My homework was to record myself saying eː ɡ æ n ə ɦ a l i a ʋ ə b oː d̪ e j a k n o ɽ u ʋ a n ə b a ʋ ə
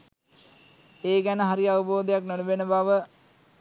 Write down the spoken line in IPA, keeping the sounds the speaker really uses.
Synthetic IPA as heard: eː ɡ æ n ə ɦ a ɾ i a ʋ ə b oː d̪ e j a k n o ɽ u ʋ e n ə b a ʋ ə